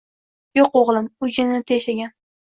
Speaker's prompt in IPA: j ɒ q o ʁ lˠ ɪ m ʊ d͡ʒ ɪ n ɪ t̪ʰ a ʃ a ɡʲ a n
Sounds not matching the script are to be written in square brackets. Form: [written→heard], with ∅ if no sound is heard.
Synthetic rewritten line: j [ɒ→o] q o ʁ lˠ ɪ m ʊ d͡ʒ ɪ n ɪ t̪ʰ [a→e] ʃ a ɡʲ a n